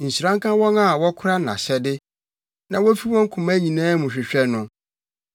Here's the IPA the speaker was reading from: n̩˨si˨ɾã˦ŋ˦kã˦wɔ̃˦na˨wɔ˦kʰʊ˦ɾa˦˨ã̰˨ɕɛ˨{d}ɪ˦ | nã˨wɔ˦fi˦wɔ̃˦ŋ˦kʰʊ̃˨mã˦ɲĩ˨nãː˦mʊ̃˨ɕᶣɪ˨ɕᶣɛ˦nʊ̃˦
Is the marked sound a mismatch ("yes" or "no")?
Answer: no